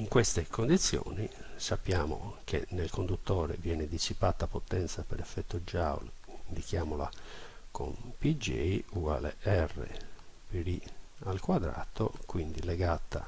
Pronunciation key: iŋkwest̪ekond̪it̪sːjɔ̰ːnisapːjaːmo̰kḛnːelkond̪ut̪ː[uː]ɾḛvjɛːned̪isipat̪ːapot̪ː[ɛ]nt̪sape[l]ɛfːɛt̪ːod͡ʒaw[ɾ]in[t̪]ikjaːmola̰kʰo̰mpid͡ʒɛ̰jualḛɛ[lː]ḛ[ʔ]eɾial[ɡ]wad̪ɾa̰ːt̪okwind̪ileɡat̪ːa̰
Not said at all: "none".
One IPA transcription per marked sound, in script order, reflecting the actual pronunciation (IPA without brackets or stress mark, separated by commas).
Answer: ɔː, ɛ, ɾ, l, d̪, rː, p, k